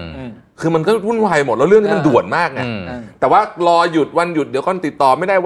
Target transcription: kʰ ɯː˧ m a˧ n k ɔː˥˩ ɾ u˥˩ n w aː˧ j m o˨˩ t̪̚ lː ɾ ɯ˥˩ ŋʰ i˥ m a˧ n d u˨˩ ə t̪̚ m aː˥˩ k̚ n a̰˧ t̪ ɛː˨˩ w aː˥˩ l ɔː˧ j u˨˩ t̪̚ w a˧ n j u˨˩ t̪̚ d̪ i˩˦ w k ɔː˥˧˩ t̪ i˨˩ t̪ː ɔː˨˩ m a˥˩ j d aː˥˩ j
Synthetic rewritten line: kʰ ɯː˧ m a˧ n k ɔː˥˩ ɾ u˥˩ n w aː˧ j m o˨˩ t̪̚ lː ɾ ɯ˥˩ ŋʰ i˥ m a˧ n d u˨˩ ə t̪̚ m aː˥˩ k̚ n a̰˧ t̪ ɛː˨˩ w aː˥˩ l ɔː˧ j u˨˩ t̪̚ w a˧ n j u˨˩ t̪̚ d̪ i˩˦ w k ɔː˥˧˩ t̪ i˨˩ t̪ː ɔː˨˩ m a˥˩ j d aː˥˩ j